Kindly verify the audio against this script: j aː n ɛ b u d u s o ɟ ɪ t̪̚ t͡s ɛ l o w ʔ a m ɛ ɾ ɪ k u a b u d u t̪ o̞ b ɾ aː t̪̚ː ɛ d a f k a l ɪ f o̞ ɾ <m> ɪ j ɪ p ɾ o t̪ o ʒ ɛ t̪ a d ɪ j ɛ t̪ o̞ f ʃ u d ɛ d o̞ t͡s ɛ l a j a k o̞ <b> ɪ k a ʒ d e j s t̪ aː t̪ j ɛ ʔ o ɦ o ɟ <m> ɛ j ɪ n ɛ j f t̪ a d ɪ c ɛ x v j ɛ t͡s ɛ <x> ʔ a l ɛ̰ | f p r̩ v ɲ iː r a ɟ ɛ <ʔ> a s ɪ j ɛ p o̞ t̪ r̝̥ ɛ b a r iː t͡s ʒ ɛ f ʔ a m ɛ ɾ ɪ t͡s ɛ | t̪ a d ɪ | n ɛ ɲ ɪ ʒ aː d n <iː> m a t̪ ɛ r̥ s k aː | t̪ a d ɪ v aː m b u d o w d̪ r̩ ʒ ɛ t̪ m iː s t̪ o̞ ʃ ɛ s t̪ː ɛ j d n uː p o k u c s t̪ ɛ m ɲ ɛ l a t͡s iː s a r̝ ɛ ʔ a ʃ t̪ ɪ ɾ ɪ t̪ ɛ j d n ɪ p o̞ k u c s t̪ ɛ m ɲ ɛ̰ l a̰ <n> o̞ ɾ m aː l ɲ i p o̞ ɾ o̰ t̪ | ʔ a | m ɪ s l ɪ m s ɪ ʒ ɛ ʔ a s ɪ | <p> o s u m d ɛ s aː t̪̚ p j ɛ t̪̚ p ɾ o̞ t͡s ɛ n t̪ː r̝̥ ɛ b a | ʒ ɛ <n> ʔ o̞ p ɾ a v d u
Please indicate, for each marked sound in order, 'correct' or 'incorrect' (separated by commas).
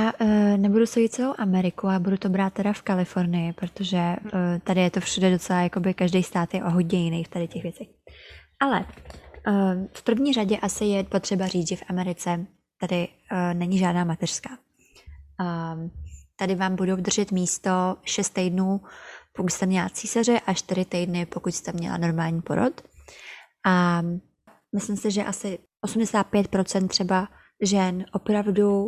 incorrect, correct, incorrect, correct, correct, incorrect, correct, incorrect, correct